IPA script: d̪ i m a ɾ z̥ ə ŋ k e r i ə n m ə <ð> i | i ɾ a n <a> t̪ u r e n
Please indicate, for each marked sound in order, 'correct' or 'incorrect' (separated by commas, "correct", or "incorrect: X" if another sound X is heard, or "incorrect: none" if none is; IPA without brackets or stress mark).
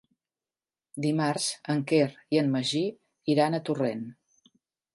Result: incorrect: ʒ, incorrect: ə